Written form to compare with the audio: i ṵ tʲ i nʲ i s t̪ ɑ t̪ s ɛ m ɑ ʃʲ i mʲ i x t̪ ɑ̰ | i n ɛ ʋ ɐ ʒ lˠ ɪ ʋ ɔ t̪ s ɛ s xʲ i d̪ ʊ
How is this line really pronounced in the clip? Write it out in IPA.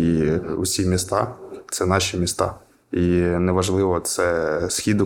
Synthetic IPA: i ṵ sʲ i mʲ i s t̪ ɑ t̪ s ɛ n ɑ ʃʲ i mʲ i s t̪ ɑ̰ | i n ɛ ʋ ɐ ʒ lˠ ɪ ʋ ɔ t̪ s ɛ s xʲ i d̪ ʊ